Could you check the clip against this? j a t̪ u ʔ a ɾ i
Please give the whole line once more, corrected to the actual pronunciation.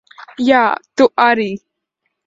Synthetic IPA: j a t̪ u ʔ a ɾ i